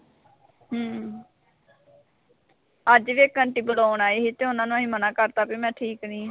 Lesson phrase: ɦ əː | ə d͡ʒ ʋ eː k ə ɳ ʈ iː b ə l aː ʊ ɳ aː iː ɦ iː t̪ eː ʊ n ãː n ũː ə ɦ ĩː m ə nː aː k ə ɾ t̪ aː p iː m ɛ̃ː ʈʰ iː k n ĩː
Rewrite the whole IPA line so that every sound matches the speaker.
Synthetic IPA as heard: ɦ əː | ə d͡ʒ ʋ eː k ə ɳ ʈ iː b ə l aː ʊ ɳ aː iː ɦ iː t̪ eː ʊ n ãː n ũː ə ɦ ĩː m ə n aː k ə ɾ t̪ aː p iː m ɛ̃ː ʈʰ iː k n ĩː

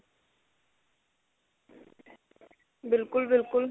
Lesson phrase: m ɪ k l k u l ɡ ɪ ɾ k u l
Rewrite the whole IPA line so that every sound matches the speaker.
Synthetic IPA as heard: b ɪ l k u l b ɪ l k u l

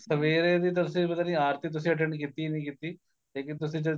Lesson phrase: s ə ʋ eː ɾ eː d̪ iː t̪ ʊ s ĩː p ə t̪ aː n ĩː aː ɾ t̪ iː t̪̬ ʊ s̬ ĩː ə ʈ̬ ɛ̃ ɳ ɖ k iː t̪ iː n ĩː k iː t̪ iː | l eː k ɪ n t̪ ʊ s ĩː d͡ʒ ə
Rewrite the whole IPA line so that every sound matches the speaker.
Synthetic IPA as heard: s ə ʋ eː ɾ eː d̪ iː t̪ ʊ s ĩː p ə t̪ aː n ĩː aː ɾ t̪ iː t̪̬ ʊ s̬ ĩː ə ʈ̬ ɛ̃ ɳ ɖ k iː t̪ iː n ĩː k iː t̪ iː | l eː k ɪ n t̪ ʊ s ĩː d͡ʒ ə

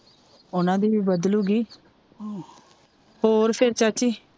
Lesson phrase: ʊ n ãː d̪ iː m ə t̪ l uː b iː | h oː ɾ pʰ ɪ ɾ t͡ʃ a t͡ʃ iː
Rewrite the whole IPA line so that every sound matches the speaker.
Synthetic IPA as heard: ʊ n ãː d̪ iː b ə d̪ l uː ɡ iː | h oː ɾ pʰ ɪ ɾ t͡ʃ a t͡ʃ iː

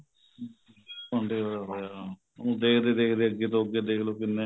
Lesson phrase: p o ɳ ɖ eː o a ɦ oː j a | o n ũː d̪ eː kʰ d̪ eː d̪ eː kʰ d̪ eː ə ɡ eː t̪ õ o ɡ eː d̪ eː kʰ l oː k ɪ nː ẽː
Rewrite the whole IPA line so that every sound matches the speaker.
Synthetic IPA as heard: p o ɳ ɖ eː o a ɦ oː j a | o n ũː d̪ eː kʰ d̪ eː d̪ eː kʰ d̪ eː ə ɡ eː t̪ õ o ɡ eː d̪ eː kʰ l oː k ɪ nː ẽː

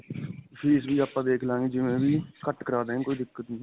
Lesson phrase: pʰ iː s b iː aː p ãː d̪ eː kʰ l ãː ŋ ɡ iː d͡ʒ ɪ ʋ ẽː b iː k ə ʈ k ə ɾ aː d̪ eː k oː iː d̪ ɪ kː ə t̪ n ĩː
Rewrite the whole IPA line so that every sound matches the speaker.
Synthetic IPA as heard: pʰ iː s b iː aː p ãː d̪ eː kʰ l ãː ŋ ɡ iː d͡ʒ ɪ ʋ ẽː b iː k ə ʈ k ə ɾ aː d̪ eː k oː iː d̪ ɪ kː ə t̪ n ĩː

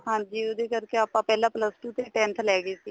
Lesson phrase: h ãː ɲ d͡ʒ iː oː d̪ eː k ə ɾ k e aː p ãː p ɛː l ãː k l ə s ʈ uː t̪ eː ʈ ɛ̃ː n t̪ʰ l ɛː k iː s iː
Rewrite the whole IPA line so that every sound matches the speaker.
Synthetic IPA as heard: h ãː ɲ d͡ʒ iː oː d̪ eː k ə ɾ k e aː p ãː p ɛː l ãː p l ə s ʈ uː t̪ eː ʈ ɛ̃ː n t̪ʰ l ɛː ɡ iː s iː

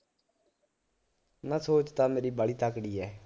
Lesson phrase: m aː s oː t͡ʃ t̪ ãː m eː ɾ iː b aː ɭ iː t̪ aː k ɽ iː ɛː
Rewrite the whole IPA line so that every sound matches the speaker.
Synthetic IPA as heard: n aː s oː t͡ʃ t̪ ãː m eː ɾ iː b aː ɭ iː t̪ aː k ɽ iː ɛː

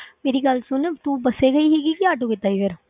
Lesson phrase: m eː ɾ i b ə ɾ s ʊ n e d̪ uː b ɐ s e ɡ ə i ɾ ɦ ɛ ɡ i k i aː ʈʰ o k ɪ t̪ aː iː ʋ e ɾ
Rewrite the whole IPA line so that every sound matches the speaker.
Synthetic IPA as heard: m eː ɾ i ɡ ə l s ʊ n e t̪ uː b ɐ s e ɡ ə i ɦ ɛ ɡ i k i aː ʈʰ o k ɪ t̪ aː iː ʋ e ɾ

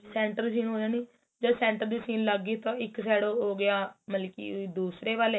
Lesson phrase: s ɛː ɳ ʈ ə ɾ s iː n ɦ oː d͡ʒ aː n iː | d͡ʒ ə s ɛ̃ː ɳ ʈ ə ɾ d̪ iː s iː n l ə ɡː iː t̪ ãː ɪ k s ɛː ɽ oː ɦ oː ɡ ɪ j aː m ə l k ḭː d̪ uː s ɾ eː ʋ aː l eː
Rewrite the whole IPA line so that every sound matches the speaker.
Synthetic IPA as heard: s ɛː ɳ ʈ ə ɾ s iː n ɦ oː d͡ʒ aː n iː | d͡ʒ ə s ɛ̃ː ɳ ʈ ə ɾ d̪ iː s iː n l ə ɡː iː t̪ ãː ɪ k s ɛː ɽ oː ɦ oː ɡ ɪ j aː m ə l k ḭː d̪ uː s ɾ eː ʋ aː l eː

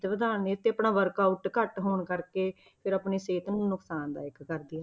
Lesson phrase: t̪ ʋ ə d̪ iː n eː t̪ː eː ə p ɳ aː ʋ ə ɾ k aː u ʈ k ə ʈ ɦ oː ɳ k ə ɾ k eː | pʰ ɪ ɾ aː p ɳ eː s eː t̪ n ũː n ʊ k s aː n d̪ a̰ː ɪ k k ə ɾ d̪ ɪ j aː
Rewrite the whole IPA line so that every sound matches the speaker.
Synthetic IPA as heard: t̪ ʋ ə d̪ aː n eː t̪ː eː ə p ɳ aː ʋ ə ɾ k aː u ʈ k ə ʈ ɦ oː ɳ k ə ɾ k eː | pʰ ɪ ɾ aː p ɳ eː s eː t̪ n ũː n ʊ k s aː n d̪ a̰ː ɪ k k ə ɾ d̪ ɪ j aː

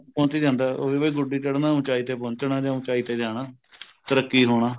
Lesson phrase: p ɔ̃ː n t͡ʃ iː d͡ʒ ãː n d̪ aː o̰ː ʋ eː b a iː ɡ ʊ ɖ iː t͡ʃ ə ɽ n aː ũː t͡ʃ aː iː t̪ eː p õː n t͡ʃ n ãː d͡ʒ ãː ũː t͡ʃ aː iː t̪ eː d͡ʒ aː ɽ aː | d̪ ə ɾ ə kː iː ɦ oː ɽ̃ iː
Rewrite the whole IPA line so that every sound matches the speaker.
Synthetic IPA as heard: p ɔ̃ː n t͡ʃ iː d͡ʒ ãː n d̪ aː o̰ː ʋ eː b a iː ɡ ʊ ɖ iː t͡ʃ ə ɽ n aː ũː t͡ʃ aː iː t̪ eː p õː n t͡ʃ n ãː d͡ʒ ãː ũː t͡ʃ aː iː t̪ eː d͡ʒ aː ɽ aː | t̪ ə ɾ ə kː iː ɦ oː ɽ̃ aː

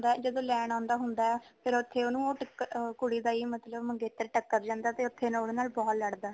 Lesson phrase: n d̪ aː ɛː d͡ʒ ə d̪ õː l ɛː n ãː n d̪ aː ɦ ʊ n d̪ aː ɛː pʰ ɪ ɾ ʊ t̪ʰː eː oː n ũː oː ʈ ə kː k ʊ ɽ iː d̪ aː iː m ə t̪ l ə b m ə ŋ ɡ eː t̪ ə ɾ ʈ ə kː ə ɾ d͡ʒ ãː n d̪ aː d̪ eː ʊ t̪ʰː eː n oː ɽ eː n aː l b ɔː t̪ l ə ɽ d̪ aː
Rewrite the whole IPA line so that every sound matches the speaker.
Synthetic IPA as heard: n d̪ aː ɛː d͡ʒ ə d̪ õː l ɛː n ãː n d̪ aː ɦ ʊ n d̪ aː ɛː pʰ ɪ ɾ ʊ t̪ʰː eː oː n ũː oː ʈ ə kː k ʊ ɽ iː d̪ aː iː m ə t̪ l ə b m ə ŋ ɡ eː t̪ ə ɾ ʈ ə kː ə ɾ d͡ʒ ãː n d̪ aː t̪ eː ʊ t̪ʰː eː n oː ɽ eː n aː l b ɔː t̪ l ə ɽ d̪ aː

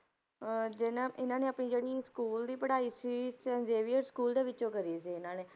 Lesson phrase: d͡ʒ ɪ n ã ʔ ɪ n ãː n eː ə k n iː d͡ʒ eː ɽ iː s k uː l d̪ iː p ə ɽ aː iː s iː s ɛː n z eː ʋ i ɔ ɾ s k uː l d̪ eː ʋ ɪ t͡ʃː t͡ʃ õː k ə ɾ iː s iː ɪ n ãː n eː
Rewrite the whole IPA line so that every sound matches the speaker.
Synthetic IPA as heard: d͡ʒ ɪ n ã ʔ ɪ n ãː n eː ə p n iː d͡ʒ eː ɽ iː s k uː l d̪ iː p ə ɽ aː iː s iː s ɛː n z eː ʋ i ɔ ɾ s k uː l d̪ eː ʋ ɪ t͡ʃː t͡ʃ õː k ə ɾ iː s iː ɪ n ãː n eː

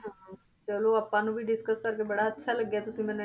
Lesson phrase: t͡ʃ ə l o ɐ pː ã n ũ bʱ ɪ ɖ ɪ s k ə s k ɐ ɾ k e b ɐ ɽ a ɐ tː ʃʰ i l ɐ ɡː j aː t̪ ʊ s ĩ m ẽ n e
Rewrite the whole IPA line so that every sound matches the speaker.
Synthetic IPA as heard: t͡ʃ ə l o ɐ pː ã n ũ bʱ i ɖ ɪ s k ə s k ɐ ɾ k e b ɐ ɽ a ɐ tː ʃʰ a l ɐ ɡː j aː t̪ ʊ s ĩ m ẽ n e

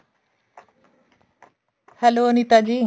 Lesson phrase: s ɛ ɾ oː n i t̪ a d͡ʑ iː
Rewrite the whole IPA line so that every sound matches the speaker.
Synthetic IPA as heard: h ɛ l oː n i t̪ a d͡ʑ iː

